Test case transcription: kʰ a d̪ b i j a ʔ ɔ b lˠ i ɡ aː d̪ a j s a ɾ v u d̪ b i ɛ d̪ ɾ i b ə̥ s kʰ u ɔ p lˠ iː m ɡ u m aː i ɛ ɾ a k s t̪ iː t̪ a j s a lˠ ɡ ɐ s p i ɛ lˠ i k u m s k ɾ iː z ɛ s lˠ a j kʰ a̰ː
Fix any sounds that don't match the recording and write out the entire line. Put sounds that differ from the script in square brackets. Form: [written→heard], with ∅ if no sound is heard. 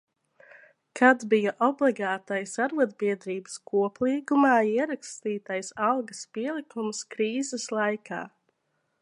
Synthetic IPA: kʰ a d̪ b i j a ʔ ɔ b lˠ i ɡ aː [d̪→t̪] a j s a ɾ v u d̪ b i ɛ d̪ ɾ [i→iː] b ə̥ s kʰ u ɔ p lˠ iː [m→∅] ɡ u m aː i ɛ ɾ a k s t̪ iː t̪ a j s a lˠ ɡ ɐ s p i ɛ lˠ i k u m s k ɾ iː z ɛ s lˠ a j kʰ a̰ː

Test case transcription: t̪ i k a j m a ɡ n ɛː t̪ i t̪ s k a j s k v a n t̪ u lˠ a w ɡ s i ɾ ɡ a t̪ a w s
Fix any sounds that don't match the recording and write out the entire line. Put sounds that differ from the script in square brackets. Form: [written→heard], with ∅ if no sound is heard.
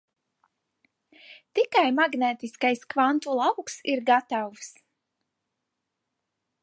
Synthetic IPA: t̪ i k a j m a ɡ n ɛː t̪ i [t̪→∅] s k a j s k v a n t̪ u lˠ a w [ɡ→k] s i ɾ ɡ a t̪ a w s

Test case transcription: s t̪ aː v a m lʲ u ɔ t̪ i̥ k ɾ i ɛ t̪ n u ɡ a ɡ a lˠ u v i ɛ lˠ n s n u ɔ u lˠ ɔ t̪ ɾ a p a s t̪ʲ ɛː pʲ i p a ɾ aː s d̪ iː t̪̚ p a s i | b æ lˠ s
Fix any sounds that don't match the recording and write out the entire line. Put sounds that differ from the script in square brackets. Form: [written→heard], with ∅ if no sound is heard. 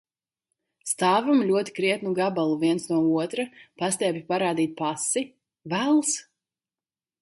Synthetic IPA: s t̪ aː v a m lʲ u ɔ t̪ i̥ k ɾ i ɛ t̪ n u ɡ a [ɡ→b] a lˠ u v i ɛ [lˠ→∅] n s n u ɔ u [lˠ→∅] ɔ t̪ ɾ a p a s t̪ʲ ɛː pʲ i p a ɾ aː [s→∅] d̪ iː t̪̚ p a s i | [b→v] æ lˠ s

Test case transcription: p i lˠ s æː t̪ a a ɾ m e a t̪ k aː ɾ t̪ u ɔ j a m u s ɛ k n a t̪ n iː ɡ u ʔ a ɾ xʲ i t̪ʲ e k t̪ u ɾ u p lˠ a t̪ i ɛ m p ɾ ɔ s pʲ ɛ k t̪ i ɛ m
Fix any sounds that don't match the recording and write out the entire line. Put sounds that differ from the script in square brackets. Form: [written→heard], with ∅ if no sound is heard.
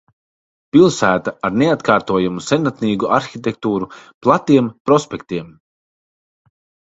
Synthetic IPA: p i lˠ s æː t̪ a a ɾ [m→n] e a t̪ k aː ɾ t̪ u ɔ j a m u s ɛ [k→∅] n a t̪ n iː ɡ u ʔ a ɾ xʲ i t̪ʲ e k t̪ [u→uː] ɾ u p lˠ a t̪ i ɛ m p ɾ ɔ s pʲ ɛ k t̪ i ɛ m

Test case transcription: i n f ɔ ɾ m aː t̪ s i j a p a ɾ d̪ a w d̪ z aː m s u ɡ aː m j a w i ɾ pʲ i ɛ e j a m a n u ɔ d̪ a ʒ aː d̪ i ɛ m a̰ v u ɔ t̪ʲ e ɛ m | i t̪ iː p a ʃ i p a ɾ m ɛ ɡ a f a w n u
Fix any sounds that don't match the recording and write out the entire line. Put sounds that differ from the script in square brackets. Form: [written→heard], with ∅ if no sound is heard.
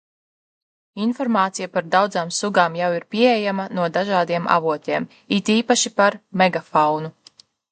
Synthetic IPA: i n f ɔ ɾ m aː t̪ s i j a p a ɾ d̪ a w d̪ z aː m s u ɡ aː m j a w i ɾ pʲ i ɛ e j a m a n u ɔ d̪ a ʒ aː d̪ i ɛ m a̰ v u ɔ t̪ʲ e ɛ m | i t̪ iː p a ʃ i p a ɾ m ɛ ɡ a f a w n u

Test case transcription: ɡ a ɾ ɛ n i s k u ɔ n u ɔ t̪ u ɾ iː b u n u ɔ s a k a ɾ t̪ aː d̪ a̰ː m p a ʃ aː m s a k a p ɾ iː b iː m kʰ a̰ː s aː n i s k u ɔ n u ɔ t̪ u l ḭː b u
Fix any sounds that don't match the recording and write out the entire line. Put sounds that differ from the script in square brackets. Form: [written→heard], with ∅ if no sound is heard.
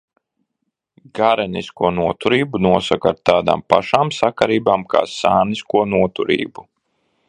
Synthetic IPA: ɡ a ɾ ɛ n i s k u ɔ n u ɔ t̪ u ɾ iː b u n u ɔ s a k a ɾ t̪ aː d̪ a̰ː m p a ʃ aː m s a k a [p→∅] ɾ iː b [iː→aː] m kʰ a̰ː s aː n i s k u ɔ n u ɔ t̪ u [l→ɾ] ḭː b u

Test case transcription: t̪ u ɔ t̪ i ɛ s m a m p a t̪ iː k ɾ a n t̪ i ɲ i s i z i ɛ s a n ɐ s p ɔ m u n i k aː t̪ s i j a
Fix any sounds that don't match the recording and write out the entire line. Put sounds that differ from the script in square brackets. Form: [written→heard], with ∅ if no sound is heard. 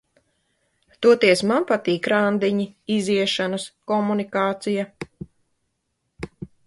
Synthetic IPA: t̪ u ɔ t̪ i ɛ s m a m p a t̪ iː k ɾ a n [t̪→d̪] i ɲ i [s→∅] i z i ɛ [s→ʃ] a n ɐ s [p→k] ɔ m u n i k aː t̪ s i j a

